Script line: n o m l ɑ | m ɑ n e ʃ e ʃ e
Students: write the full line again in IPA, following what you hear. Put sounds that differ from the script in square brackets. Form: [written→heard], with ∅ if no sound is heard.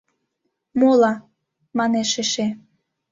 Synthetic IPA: [n→m] o [m→∅] l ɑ | m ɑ n e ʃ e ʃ e